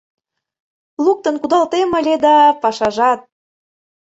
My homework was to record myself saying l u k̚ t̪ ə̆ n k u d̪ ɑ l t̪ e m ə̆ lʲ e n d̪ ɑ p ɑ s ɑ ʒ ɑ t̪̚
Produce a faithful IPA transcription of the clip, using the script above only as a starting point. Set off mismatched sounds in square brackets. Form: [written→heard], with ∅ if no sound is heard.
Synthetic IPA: l u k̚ t̪ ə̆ n k u d̪ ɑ l t̪ e m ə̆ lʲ e [n→∅] d̪ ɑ p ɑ [s→ʃ] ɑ ʒ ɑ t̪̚